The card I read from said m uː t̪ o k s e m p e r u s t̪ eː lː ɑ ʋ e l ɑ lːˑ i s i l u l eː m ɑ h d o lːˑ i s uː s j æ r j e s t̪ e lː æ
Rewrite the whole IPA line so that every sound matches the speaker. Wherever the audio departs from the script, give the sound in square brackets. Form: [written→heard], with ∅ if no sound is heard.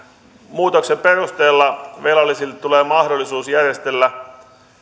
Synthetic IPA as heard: m uː t̪ o k s e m p e r u s t̪ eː lː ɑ ʋ e l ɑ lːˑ i s i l u l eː m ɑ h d o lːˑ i s uː s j æ r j e s t̪ e lː æ

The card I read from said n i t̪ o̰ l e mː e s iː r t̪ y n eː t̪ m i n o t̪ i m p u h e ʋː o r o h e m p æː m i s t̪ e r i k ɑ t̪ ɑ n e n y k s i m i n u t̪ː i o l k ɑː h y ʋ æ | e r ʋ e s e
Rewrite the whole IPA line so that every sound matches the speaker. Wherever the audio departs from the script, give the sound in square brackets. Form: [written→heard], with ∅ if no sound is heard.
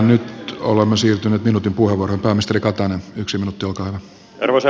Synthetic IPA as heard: n [i→y] t̪ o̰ l e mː e s iː r t̪ y n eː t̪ m i n [o→u] t̪ i m p u h e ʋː o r o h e m p æː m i s t̪ e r i k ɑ t̪ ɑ n e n y k s i m i n u t̪ː i o l k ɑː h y ʋ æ | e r ʋ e s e

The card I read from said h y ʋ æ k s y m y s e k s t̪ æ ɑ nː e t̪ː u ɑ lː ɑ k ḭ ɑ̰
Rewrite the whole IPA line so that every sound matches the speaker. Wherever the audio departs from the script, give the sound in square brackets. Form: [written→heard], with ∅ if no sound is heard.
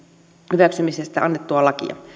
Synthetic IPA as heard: h y ʋ æ k s y m [y→i] s e [k→∅] s t̪ æ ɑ nː e t̪ː u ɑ [lː→l] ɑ k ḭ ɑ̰

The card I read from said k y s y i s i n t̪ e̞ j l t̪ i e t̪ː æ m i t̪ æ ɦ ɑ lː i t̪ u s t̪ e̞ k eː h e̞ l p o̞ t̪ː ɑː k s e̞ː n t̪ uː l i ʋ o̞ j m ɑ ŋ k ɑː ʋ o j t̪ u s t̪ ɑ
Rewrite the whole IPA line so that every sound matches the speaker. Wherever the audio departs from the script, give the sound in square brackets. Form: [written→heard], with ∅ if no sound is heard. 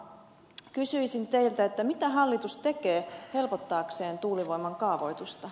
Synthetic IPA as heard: k y s y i s i n t̪ e̞ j l t̪ [i→æ] e t̪ː æ m i t̪ æ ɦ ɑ lː i t̪ u s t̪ e̞ k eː h e̞ l p o̞ t̪ː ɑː k s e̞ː n t̪ uː l i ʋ o̞ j m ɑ ŋ k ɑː ʋ o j t̪ u s t̪ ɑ

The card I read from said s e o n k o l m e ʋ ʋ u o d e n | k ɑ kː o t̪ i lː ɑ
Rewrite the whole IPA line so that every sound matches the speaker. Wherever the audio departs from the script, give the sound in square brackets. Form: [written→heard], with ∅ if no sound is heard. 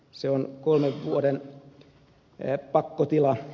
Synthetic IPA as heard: s e o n k o l m e ʋ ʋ u o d e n | [k→p] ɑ kː o t̪ i [lː→l] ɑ

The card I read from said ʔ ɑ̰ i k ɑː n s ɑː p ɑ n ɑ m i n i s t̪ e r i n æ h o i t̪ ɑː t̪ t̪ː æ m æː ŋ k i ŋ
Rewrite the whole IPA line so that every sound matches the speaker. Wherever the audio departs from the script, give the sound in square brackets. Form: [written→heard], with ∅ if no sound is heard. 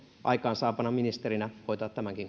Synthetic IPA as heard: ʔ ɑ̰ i k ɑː n s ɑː p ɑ n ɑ m i n i s t̪ e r i n æ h o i t̪ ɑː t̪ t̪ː æ m [æː→æ] ŋ k i ŋ

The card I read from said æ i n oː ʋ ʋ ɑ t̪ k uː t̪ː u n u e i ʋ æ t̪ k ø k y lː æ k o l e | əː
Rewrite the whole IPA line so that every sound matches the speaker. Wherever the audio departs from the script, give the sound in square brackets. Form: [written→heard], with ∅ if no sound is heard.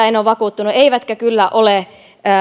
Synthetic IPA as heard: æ [i→e] n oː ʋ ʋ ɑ [t̪→∅] k uː t̪ː u n u e i ʋ æ t̪ k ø k y lː æ [k→ʔ] o l e | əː

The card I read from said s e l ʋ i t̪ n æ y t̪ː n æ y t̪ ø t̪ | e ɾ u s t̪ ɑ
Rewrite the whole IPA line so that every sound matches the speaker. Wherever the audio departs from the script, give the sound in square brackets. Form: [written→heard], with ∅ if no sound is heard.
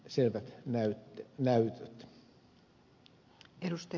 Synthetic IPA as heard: s e l ʋ [i→æ] t̪ n æ y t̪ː n æ y t̪ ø t̪ | e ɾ u s t̪ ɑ

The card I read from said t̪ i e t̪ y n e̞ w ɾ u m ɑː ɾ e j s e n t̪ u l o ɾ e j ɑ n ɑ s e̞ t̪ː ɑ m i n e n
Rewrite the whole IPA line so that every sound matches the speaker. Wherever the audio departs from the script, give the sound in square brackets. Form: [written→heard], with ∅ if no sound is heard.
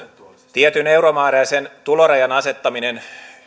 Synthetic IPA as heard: t̪ i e t̪ y n e̞ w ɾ [u→o] m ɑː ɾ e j s e n t̪ u l o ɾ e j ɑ n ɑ s e̞ t̪ː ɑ m i n e n

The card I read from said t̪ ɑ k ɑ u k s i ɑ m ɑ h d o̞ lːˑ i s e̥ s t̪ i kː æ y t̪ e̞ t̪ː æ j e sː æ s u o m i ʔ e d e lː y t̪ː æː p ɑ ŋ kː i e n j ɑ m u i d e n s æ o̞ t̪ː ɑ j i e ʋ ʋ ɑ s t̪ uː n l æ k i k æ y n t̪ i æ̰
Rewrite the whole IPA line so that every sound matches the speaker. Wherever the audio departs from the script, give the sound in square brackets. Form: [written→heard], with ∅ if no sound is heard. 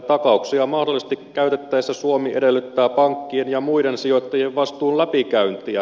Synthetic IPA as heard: t̪ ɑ k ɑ u k s i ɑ m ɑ h d o̞ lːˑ i s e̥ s t̪ i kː æ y t̪ e̞ t̪ː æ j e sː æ s u o m i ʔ e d e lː y t̪ː æː p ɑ ŋ kː i e n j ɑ m u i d e n s [æ→i] o̞ t̪ː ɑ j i e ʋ ʋ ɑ s t̪ uː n l æ [k→p] i k æ y n t̪ i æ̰

